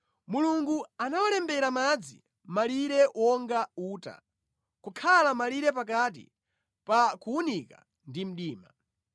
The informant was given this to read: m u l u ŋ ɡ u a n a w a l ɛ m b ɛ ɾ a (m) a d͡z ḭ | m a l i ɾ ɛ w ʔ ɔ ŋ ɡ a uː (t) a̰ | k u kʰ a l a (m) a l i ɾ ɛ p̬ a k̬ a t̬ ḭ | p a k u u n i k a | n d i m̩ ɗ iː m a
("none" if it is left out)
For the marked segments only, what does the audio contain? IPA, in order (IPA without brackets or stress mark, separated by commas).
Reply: m, t, m